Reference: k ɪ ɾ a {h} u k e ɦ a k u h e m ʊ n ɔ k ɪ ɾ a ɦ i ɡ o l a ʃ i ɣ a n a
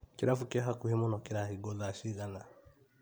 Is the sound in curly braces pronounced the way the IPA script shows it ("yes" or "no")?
no